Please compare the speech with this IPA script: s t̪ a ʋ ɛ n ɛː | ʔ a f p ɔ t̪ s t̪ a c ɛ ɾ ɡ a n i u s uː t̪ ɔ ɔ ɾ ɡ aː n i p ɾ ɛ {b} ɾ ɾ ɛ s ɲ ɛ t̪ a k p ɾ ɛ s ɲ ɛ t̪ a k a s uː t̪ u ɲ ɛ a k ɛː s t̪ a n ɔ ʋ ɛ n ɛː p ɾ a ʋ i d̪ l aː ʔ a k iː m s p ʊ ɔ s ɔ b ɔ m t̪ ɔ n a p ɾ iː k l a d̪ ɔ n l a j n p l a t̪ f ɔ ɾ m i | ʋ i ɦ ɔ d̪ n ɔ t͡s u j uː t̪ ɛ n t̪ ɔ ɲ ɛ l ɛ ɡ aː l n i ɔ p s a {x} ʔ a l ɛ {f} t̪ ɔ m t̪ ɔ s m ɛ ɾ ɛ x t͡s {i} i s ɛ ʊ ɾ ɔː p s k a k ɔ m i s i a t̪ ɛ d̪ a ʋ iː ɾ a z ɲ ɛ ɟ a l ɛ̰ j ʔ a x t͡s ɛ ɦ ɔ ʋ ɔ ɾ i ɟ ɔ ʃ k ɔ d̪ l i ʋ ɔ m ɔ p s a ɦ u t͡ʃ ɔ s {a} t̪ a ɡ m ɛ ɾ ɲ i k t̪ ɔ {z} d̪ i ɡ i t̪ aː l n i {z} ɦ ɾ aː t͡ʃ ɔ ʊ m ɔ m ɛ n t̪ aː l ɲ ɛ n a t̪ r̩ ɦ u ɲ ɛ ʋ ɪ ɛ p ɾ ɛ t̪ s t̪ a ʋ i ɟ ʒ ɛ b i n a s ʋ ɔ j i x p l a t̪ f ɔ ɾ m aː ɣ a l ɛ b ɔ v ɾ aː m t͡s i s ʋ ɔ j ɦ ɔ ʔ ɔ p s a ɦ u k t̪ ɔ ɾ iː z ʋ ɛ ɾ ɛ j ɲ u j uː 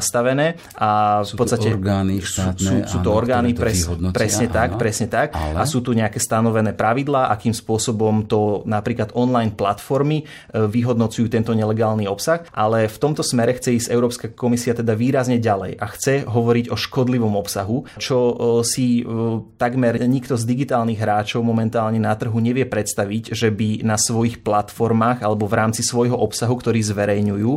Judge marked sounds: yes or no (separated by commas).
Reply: no, yes, yes, no, no, yes, no